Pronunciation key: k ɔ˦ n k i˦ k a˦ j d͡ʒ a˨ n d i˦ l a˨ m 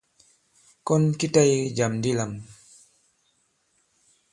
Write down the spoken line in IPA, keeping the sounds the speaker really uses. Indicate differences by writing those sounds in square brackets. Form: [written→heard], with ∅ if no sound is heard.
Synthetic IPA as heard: k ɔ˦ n k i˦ [k→t] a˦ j d͡ʒ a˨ [n→m] d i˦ l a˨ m

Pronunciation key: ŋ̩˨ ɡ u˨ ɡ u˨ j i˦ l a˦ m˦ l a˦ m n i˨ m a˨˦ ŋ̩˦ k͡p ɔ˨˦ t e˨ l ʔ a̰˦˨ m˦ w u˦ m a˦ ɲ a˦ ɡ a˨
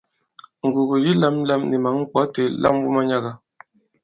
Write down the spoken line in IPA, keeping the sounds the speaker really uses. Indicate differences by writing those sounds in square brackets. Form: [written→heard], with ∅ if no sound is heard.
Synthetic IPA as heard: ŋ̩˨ ɡ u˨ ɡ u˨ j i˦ l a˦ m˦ l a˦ m n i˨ m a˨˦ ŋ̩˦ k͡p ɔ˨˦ t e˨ l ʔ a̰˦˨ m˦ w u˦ m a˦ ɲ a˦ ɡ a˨

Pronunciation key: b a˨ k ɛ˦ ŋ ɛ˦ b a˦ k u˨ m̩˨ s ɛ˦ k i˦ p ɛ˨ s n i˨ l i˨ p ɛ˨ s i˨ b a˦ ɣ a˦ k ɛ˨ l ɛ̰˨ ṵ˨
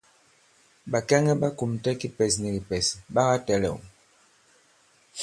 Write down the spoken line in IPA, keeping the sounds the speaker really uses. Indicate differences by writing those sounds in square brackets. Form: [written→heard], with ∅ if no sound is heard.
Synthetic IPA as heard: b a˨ k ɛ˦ ŋ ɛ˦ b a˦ k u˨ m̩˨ [s→t] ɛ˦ k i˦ p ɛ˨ s n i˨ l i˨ p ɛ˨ s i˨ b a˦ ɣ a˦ [k→t] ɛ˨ l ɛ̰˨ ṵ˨

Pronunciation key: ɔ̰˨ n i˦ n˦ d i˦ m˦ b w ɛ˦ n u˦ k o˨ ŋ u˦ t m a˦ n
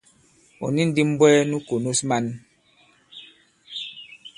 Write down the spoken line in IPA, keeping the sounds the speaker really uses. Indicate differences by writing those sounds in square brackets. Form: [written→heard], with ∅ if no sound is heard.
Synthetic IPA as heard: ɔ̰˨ n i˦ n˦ d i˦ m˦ b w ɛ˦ n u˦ k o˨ [ŋ→n] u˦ [t→s] m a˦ n

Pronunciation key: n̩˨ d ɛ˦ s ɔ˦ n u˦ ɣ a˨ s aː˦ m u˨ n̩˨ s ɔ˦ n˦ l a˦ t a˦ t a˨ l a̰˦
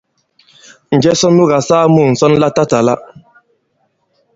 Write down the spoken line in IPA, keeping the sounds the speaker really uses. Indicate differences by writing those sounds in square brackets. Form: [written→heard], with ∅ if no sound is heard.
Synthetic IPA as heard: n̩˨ [d→d͡ʒ] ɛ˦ s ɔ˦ n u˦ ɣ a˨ s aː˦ m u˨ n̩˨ s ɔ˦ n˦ l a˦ t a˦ t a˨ l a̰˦

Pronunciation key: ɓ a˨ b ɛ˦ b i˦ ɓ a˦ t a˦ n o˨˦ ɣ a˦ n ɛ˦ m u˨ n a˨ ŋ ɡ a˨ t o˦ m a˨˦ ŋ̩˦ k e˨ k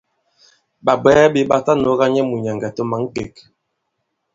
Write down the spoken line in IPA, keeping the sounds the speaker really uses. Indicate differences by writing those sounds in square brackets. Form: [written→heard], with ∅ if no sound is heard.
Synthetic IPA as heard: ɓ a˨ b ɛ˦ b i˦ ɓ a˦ t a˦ n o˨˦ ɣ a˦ [n→ɲ] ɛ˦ m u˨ [n→ɲ] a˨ ŋ ɡ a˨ t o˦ m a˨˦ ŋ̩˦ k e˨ k

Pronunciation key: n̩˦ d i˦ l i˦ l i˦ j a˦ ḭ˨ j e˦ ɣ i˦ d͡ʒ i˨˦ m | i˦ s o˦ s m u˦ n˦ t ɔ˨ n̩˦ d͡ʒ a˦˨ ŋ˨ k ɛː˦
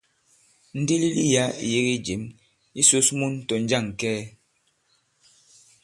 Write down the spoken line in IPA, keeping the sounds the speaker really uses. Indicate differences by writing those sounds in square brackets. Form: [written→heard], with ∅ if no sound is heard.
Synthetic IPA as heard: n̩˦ d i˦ l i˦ l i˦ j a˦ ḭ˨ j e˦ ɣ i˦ d͡ʒ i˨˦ m | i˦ s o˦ s m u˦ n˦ t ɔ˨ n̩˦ d͡ʒ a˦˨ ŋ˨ k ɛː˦

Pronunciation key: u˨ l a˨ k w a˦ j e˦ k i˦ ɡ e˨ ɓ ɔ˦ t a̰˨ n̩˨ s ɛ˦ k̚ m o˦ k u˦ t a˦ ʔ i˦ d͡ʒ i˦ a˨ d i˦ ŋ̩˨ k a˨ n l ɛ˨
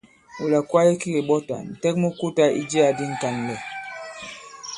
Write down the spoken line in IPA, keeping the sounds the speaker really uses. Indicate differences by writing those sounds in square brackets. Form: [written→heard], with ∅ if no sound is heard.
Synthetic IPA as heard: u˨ l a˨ k w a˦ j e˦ k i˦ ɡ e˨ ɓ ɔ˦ t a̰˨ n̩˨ [s→t] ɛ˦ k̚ m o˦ k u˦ t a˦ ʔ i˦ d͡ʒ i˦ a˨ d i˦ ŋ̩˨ k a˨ n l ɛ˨

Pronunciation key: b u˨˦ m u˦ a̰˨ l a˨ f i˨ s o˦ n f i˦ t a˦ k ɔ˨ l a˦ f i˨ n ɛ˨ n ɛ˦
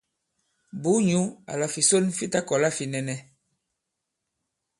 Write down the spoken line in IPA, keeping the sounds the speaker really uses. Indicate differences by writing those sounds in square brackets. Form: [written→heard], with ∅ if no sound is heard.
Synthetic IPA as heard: b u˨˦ [m→ɲ] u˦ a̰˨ l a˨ f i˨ s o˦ n f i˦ t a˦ k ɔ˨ l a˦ f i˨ n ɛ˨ n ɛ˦

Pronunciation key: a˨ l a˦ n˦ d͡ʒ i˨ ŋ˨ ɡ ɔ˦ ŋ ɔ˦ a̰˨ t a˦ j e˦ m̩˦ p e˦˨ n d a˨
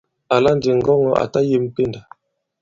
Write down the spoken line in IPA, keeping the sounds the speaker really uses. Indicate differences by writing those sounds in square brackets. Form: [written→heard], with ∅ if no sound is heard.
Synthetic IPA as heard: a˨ l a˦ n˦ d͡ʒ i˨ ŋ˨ ɡ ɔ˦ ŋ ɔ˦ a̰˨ t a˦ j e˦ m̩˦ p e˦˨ n d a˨

